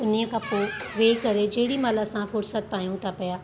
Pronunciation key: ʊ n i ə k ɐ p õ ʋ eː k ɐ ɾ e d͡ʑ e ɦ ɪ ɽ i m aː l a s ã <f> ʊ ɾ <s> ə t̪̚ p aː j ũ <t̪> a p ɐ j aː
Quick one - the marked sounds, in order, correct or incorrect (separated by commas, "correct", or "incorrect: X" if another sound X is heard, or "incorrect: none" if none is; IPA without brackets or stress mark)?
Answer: correct, correct, incorrect: t̪ʰ